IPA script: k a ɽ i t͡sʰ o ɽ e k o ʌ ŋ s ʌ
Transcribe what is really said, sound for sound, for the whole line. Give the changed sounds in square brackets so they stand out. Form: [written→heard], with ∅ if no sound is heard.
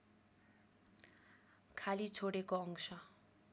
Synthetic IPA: [k→kʰ] a [ɽ→l] i t͡sʰ o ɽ e k o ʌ ŋ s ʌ

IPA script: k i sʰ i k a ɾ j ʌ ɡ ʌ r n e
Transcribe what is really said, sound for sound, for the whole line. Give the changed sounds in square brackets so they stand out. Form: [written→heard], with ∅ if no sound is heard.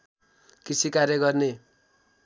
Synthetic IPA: k i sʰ i k a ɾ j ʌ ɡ ʌ r n e

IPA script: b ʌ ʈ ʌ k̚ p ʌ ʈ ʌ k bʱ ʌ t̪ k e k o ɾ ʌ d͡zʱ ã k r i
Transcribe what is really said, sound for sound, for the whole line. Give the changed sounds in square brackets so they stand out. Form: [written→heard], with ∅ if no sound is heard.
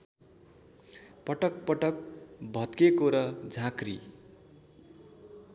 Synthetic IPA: [b→p] ʌ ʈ ʌ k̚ p ʌ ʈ ʌ k bʱ ʌ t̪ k e k o ɾ ʌ d͡zʱ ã k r i

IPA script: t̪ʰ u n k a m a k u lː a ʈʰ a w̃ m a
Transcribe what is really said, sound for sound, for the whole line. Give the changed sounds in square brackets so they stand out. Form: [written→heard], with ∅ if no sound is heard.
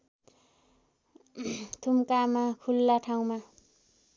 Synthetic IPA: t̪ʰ u [n→m] k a m a [k→kʰ] u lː a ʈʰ a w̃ m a

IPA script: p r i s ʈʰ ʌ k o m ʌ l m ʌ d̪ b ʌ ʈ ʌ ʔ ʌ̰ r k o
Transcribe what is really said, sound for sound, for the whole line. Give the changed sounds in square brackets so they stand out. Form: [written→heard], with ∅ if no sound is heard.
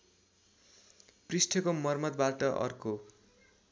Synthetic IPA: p r i s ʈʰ ʌ k o m ʌ [l→r] m ʌ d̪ b [ʌ→a] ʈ ʌ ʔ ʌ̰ r k o

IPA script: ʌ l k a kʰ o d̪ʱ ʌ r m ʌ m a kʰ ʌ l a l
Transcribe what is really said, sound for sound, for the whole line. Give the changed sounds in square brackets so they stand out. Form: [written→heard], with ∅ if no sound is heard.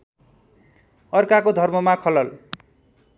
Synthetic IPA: ʌ [l→r] k a [kʰ→k] o d̪ʱ ʌ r m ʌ m a kʰ ʌ l [a→ʌ] l

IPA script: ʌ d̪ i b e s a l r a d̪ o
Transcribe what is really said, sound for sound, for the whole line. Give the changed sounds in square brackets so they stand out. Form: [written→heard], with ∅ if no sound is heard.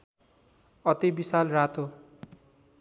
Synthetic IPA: ʌ [d̪→t̪] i b [e→i] s a l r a [d̪→t̪] o

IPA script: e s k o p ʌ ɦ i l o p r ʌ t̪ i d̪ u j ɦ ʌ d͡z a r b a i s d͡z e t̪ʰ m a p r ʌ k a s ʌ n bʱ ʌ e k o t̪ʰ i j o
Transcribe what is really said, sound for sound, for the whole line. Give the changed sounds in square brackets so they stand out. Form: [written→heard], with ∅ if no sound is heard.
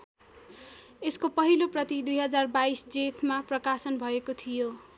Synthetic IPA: e s k o p ʌ ɦ i l o p r ʌ t̪ i d̪ u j ɦ ʌ d͡z a r b a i s d͡z e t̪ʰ m a p r ʌ k a s ʌ n bʱ ʌ e k o t̪ʰ i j o

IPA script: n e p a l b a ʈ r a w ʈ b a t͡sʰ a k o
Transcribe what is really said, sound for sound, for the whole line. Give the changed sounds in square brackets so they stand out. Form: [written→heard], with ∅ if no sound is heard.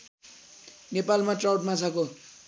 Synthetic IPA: n e p a l [b→m] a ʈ r a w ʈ [b→m] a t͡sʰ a k o

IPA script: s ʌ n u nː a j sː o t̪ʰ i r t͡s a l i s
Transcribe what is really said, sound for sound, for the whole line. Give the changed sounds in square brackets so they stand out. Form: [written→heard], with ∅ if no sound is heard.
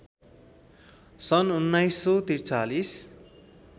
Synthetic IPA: s ʌ n u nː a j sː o [t̪ʰ→t̪] i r t͡s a l i s

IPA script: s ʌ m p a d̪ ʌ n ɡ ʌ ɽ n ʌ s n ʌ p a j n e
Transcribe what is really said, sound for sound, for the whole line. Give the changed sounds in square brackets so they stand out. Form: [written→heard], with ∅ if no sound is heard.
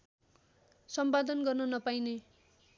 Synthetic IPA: s ʌ m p a d̪ ʌ n ɡ ʌ [ɽ→r] n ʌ [s→∅] n ʌ p a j n e

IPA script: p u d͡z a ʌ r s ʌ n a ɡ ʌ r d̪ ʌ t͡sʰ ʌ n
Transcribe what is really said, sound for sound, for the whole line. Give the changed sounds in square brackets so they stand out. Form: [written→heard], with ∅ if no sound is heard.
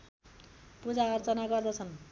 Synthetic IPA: p u d͡z a ʌ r [s→t͡s] ʌ n a ɡ ʌ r d̪ ʌ t͡sʰ ʌ n

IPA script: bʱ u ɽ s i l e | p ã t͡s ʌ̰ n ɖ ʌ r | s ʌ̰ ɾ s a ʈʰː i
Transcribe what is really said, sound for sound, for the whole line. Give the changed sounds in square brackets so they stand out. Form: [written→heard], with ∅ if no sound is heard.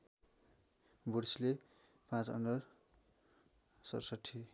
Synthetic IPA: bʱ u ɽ s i l e | p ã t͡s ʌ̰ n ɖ ʌ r | s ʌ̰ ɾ s [a→ʌ] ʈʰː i

